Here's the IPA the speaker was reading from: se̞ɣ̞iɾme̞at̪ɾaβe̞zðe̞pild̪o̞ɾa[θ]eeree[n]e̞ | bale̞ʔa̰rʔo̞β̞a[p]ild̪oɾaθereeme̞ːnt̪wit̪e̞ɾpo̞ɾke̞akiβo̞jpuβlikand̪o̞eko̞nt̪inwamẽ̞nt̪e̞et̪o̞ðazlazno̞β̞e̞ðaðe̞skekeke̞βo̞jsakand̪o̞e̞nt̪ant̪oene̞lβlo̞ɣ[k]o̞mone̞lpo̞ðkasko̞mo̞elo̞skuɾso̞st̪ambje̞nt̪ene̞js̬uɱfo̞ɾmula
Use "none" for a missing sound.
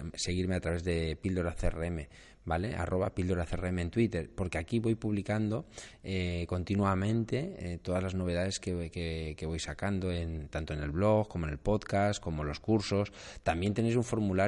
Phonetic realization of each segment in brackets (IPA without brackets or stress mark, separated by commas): θ, m, p, k